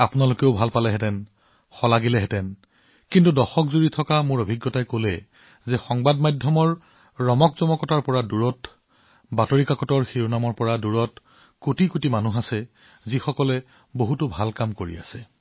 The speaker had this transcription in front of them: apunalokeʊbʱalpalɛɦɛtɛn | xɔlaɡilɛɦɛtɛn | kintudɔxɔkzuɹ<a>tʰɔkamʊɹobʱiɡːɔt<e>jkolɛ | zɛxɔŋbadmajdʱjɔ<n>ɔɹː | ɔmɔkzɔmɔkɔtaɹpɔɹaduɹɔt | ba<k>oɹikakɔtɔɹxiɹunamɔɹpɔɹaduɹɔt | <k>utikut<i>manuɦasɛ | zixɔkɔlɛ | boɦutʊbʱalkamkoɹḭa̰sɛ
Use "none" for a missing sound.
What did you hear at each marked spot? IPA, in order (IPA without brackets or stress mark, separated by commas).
i, a, m, t, k, i